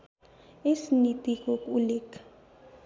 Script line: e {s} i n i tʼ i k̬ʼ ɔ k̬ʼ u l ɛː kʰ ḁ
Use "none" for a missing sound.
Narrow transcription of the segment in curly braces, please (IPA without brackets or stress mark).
s